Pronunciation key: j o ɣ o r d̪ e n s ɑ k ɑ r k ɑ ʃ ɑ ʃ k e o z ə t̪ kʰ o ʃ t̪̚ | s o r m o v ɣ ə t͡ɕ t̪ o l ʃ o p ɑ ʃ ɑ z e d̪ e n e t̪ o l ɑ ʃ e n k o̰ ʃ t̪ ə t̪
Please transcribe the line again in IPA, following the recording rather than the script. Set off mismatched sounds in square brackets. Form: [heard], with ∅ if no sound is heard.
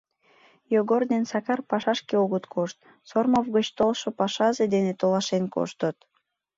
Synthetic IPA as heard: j o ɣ o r d̪ e n s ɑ k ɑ r [p] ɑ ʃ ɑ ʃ k e o [ɣ] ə t̪ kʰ o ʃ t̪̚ | s o r m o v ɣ ə t͡ɕ t̪ o l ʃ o p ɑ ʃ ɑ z e d̪ e n e t̪ o l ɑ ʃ e n k o̰ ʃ t̪ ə t̪